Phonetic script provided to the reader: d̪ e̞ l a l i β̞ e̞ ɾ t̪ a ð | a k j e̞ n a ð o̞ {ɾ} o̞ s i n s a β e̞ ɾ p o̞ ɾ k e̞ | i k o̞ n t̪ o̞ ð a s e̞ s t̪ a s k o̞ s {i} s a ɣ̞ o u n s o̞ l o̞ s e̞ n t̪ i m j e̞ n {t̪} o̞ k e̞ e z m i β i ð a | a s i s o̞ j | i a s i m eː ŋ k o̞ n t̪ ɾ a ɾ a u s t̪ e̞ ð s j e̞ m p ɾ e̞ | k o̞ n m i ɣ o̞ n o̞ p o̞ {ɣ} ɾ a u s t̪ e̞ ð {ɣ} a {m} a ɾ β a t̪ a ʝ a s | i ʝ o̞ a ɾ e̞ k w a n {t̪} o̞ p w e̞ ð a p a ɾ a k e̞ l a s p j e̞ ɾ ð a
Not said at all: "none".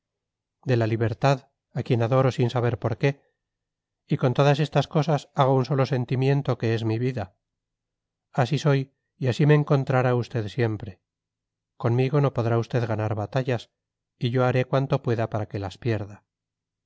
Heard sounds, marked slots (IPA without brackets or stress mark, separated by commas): ɾ, a, t̪, ð, ɣ, n, t̪